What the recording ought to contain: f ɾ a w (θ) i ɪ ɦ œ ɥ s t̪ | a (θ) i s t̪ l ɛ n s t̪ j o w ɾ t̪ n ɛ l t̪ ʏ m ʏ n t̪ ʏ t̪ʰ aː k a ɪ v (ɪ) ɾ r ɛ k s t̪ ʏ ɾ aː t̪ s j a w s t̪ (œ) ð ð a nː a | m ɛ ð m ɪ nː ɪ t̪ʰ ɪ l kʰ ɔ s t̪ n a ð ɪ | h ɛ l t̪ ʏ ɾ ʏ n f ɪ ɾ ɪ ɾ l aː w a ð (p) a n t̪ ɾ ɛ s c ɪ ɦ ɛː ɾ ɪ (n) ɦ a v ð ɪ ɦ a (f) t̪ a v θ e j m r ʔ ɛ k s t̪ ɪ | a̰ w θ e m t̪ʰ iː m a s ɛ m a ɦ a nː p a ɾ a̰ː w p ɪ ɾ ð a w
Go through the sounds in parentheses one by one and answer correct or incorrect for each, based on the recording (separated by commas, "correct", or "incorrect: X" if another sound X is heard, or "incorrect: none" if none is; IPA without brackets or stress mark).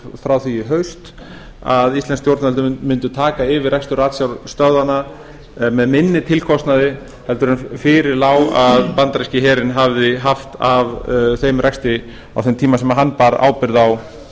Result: correct, incorrect: ð, correct, correct, correct, correct, correct